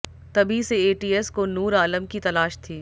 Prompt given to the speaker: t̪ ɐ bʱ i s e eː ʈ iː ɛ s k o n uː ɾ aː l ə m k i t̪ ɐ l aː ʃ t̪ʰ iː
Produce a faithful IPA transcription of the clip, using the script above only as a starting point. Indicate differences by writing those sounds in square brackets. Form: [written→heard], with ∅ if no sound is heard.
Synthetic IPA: t̪ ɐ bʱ i s e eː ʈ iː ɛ s k o n uː ɾ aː l ə m k i t̪ ɐ l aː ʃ t̪ʰ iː